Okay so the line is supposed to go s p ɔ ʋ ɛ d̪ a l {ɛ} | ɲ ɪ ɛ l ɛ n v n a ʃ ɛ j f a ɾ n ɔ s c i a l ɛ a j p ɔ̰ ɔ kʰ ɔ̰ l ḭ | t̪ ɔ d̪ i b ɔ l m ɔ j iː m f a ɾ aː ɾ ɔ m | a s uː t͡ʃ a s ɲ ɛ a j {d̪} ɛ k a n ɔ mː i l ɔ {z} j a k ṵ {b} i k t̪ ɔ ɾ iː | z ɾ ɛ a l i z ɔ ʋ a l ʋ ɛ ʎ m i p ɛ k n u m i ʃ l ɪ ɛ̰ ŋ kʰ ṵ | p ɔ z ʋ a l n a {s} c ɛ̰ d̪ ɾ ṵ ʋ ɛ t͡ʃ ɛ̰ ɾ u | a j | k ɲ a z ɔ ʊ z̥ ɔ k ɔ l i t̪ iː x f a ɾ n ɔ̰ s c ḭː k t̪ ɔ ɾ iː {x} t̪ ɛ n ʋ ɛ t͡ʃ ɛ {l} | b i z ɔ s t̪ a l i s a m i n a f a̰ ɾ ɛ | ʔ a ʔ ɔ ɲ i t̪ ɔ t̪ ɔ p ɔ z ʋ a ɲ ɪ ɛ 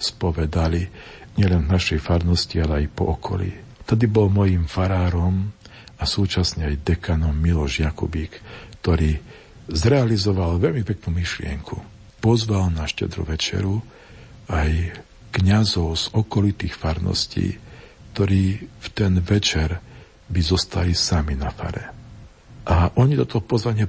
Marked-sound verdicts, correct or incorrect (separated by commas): incorrect, correct, incorrect, correct, incorrect, incorrect, incorrect